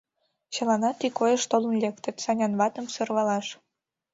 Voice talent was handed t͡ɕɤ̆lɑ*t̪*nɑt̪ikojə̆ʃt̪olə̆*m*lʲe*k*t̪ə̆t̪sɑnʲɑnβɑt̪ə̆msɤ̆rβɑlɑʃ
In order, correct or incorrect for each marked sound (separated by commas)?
incorrect, incorrect, correct